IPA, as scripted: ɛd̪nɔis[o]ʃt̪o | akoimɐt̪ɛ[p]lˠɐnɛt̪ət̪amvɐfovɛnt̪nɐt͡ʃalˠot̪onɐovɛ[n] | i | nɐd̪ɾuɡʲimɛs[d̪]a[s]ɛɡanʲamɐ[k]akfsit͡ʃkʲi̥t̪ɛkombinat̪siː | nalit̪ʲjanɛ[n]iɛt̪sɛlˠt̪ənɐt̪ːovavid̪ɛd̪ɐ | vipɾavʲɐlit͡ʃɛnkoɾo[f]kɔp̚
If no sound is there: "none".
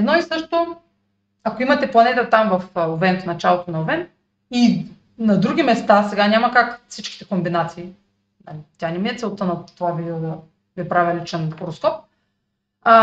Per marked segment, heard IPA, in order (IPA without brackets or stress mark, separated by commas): ɤ, p, n, t̪, s, k, m, s